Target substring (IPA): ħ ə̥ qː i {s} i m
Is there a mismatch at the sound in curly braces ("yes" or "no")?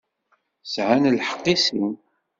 no